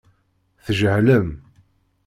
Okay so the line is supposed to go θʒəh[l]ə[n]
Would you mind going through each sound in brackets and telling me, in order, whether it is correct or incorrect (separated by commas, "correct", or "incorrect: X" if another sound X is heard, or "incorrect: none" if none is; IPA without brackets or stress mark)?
correct, incorrect: m